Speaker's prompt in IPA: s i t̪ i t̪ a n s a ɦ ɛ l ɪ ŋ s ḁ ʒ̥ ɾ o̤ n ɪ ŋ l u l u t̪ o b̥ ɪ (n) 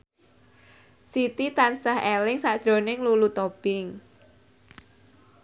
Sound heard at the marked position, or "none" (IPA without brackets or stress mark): ŋ